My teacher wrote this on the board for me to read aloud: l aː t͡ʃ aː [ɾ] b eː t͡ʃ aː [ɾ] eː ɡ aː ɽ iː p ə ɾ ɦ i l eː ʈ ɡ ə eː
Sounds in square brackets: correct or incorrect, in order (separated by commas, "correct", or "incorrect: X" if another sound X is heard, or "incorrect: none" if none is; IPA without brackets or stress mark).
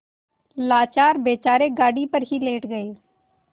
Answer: correct, correct